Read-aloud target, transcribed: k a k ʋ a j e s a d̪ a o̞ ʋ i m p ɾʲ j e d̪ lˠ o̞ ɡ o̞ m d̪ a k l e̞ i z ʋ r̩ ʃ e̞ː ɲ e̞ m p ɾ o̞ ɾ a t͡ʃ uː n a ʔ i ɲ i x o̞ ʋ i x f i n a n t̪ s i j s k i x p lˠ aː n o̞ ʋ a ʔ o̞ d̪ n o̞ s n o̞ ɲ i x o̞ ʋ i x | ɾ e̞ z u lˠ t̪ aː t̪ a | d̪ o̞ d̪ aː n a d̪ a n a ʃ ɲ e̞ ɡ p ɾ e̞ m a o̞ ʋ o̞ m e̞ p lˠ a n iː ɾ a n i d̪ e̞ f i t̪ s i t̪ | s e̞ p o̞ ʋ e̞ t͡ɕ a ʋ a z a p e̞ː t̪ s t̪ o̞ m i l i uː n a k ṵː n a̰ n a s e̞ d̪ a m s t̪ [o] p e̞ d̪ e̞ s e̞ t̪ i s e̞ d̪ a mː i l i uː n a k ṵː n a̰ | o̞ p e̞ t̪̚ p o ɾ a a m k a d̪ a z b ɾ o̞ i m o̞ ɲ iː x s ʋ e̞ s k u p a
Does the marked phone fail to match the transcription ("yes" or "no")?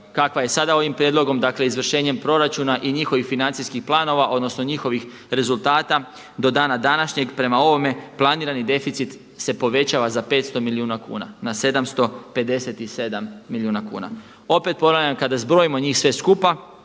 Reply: no